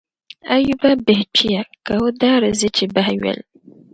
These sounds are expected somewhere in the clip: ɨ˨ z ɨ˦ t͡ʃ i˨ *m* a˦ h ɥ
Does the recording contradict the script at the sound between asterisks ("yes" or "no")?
yes